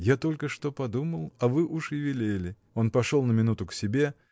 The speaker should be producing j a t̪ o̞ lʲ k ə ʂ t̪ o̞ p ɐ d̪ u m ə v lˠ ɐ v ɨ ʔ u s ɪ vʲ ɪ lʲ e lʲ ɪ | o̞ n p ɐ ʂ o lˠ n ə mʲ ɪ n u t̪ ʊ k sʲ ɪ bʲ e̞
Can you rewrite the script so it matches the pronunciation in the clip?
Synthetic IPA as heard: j a t̪ o̞ lʲ k ə ʂ t̪ o̞ p ɐ d̪ u m ə lˠ ɐ v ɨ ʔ u ʂ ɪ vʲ ɪ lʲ e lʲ ɪ | o̞ n p ɐ ʂ o lˠ n ə mʲ ɪ n u t̪ ʊ k sʲ ɪ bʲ e̞